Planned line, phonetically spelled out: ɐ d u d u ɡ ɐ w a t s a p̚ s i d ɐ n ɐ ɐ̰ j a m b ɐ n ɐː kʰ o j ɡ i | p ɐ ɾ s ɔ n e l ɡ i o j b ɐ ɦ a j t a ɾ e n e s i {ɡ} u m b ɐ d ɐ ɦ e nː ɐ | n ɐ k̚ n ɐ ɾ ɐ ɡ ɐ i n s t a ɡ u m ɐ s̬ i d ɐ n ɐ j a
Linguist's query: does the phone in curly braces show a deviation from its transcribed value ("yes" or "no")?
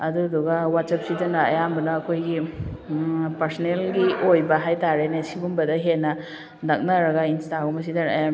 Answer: yes